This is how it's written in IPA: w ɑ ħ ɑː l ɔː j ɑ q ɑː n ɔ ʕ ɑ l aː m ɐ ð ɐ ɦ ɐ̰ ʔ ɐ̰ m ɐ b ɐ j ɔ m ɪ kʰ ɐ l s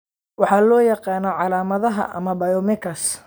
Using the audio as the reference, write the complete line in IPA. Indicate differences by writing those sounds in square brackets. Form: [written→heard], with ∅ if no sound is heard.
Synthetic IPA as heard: w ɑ ħ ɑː l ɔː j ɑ q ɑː n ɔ ʕ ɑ l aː m ɐ ð ɐ ɦ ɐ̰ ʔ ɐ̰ m ɐ b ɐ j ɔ m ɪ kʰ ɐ [l→∅] s

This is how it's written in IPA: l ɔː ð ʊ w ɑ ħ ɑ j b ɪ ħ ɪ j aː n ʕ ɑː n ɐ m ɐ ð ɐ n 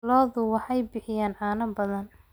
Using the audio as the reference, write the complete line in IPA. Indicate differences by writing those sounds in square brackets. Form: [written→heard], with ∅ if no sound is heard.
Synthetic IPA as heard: l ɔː ð ʊ w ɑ ħ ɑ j b ɪ ħ ɪ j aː n ʕ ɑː n ɐ [m→b] ɐ ð ɐ n

